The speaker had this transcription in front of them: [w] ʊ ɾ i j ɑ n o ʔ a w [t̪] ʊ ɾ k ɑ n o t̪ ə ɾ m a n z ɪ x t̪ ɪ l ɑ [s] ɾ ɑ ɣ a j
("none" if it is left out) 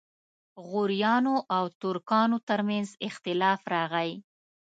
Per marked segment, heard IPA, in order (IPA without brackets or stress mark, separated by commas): ɣ, t̪, f